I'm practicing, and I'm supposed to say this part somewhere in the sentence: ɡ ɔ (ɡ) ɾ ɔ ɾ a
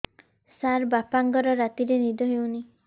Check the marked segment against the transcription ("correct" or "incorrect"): incorrect